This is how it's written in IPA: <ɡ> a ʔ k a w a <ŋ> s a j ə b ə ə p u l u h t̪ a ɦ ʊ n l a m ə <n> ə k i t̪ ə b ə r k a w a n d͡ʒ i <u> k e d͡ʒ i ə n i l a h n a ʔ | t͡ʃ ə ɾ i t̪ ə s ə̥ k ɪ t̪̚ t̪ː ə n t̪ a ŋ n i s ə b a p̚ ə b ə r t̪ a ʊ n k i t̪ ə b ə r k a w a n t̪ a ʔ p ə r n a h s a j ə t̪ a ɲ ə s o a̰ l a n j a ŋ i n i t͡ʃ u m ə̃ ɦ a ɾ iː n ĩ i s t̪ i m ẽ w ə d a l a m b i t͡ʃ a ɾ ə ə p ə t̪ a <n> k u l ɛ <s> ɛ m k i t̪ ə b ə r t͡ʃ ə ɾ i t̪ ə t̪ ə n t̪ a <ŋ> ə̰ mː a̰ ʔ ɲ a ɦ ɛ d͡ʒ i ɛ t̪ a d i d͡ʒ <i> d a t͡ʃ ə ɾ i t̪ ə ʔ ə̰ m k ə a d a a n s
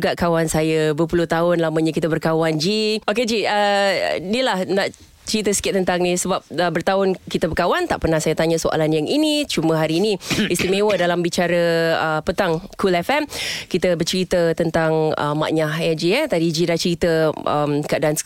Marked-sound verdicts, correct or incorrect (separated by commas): correct, incorrect, incorrect, incorrect, incorrect, incorrect, correct, correct